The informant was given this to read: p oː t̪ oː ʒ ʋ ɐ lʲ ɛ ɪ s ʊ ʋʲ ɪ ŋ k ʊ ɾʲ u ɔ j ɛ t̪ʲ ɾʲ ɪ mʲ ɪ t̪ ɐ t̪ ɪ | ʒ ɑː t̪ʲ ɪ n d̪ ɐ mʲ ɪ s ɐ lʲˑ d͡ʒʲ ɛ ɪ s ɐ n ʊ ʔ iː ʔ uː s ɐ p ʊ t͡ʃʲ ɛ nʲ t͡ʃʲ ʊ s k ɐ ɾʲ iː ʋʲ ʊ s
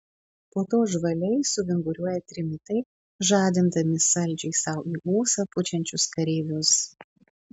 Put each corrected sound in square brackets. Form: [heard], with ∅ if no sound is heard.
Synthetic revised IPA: p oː t̪ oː ʒ ʋ ɐ lʲ ɛ ɪ s ʊ ʋʲ ɪ ŋ [ɡ] ʊ ɾʲ u ɔ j ɛ t̪ʲ ɾʲ ɪ mʲ ɪ t̪ ɐ [∅] ɪ | ʒ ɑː [d̪ʲ] ɪ n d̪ ɐ mʲ ɪ s ɐ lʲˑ d͡ʒʲ ɛ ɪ s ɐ [∅] ʊ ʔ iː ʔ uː s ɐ p ʊ t͡ʃʲ ɛ nʲ t͡ʃʲ ʊ s k ɐ ɾʲ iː ʋʲ ʊ s